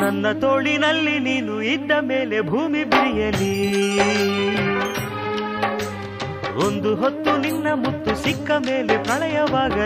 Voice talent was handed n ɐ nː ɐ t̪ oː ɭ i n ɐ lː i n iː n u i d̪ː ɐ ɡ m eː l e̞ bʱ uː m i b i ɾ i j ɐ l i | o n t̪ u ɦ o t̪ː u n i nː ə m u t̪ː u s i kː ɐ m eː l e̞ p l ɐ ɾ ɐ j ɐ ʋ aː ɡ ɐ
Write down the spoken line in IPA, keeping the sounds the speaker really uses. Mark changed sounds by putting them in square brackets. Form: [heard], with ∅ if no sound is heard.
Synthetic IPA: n ɐ nː ɐ t̪ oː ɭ i n ɐ lː i n iː n u i d̪ː ɐ [∅] m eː l e̞ bʱ uː m i b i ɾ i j ɐ l i | o n [d̪] u ɦ o t̪ː u n i nː [ɐ] m u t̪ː u s i kː ɐ m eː l e̞ p [ɾ] ɐ [ɭ] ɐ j ɐ ʋ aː ɡ ɐ